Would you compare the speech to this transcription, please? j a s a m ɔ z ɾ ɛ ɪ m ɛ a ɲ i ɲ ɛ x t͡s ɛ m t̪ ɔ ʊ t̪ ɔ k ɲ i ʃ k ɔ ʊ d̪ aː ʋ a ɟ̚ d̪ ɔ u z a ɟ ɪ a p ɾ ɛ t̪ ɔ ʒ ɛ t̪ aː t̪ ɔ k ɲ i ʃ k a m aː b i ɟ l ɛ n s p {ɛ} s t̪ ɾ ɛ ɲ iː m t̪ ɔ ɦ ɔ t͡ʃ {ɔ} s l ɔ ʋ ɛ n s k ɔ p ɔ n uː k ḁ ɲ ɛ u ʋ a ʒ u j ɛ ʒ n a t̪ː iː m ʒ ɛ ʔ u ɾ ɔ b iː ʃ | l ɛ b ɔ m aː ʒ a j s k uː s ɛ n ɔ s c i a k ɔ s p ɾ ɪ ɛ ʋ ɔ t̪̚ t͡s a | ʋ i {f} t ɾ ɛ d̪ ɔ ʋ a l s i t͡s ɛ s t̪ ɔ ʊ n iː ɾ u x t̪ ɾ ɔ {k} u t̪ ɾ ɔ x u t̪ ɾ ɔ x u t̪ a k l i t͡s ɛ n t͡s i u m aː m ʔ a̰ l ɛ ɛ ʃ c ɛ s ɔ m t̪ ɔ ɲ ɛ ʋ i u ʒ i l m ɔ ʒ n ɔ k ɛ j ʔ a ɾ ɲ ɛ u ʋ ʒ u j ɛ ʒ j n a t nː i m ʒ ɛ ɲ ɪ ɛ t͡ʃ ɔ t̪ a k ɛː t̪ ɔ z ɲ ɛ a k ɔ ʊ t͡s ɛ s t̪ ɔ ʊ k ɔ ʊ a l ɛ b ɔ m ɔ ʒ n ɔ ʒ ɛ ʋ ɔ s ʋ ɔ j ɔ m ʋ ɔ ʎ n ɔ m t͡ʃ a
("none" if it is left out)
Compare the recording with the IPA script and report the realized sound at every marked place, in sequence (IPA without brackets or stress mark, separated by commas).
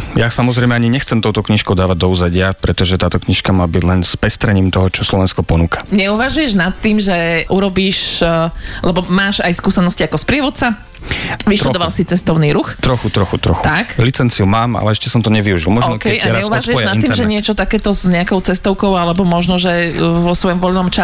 ɛ, ɔ, ʃ, x